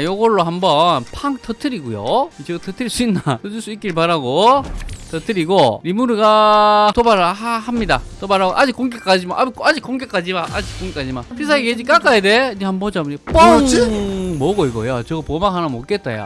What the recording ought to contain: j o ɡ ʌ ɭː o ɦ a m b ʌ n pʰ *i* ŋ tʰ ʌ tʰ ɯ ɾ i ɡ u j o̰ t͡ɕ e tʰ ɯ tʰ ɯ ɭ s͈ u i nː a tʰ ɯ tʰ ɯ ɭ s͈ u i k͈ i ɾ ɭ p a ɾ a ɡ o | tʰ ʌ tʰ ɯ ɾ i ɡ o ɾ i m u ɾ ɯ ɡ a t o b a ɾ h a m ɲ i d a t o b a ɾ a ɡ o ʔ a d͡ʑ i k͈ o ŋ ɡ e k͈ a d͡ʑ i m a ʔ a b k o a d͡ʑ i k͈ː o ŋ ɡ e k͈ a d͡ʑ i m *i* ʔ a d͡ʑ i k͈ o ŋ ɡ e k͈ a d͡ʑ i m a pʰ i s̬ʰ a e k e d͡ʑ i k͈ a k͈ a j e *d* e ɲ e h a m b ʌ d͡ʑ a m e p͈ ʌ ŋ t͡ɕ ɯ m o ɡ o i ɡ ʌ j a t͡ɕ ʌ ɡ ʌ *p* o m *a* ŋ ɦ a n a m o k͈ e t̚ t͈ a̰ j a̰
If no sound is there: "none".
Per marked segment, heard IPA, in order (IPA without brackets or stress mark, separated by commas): a, a, d, p, a